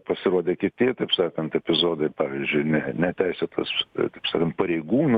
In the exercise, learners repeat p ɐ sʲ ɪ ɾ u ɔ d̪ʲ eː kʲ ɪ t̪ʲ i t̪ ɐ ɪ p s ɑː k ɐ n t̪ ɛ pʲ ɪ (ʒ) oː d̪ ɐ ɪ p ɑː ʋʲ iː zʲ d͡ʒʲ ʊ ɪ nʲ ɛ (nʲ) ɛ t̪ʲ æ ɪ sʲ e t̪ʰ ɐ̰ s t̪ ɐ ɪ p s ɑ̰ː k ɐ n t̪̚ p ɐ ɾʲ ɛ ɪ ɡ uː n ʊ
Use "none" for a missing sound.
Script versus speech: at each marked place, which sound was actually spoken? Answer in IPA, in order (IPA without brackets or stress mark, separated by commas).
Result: z, nʲ